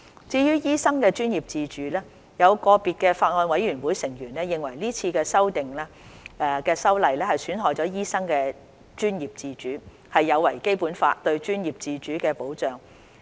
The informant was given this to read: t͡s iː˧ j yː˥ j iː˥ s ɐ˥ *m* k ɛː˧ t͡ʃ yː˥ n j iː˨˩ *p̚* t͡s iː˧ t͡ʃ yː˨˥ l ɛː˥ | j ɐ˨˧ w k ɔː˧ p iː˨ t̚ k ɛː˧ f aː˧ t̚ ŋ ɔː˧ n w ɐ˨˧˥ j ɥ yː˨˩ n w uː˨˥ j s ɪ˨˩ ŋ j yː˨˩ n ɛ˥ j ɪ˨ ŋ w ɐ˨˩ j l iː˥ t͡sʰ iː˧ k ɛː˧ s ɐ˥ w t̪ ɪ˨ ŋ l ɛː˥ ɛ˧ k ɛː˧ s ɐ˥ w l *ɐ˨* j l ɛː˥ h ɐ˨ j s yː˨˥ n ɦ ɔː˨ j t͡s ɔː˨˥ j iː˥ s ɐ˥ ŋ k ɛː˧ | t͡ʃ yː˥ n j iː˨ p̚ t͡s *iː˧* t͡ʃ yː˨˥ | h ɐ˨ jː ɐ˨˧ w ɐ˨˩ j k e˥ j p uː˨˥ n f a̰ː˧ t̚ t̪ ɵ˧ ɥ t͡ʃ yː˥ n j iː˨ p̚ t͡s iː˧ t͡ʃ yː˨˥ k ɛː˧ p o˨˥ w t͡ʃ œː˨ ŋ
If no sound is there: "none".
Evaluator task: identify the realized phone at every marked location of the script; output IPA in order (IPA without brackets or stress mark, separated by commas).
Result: ŋ, p̚, ɐ˨, iː˧